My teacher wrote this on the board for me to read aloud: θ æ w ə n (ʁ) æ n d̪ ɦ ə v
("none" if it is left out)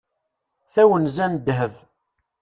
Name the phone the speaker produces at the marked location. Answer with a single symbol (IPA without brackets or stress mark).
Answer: z